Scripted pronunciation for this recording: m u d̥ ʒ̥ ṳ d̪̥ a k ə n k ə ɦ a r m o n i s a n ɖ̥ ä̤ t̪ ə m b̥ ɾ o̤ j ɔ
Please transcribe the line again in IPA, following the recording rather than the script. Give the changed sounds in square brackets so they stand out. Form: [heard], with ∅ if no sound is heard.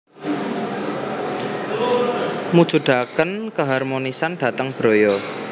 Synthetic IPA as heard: m u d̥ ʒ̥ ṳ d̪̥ a k ə n k ə ɦ a r m o n i s a n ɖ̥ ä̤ t̪ ə [ŋ] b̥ ɾ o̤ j ɔ